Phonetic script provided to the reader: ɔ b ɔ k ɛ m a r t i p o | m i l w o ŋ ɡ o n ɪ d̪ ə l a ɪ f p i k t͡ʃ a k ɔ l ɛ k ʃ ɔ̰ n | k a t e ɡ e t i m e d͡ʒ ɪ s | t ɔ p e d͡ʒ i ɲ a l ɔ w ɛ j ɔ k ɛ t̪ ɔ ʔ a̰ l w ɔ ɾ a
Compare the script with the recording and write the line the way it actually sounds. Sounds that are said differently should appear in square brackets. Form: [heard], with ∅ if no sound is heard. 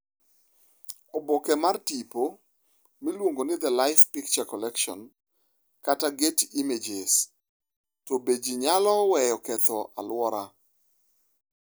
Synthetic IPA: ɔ b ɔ k ɛ m a r t i p o | m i l w o ŋ ɡ o n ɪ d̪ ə l a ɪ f p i k t͡ʃ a k ɔ l ɛ k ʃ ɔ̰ n | k a t [a] ɡ e t i m e d͡ʒ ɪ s | t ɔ [b] e d͡ʒ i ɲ a l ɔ w ɛ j ɔ k ɛ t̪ ɔ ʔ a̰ l w ɔ ɾ a